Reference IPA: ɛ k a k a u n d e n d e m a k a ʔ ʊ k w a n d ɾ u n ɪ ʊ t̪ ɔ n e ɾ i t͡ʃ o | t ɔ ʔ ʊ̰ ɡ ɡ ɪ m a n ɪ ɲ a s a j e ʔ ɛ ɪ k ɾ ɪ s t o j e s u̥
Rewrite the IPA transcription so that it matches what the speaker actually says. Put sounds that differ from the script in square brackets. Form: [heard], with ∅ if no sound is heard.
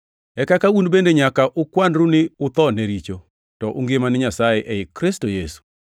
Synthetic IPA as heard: ɛ k a k a u n [b] e n d e [ɲ] a k a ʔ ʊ k w a n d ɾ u n ɪ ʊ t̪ ɔ n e ɾ i t͡ʃ o | t ɔ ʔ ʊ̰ [ŋ] ɡ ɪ m a n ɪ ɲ a s a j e ʔ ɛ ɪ k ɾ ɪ s t o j e s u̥

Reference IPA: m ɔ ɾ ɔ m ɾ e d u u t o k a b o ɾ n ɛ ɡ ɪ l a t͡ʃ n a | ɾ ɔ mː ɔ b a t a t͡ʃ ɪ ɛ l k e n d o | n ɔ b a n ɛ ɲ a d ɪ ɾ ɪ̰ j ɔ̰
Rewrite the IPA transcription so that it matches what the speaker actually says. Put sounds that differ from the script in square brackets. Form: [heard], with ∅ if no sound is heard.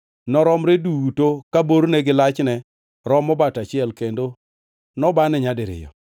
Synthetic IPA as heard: [n] ɔ ɾ ɔ m ɾ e d u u t o k a b o ɾ n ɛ ɡ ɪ l a t͡ʃ n [ɛ] | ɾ ɔ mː ɔ b a t a t͡ʃ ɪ ɛ l k e n d o | n ɔ b a n ɛ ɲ a d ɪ ɾ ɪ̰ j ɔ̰

